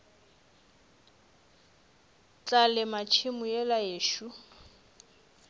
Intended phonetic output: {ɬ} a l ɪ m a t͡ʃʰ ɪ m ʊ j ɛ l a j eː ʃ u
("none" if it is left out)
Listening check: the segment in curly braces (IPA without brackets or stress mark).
t͡ɬ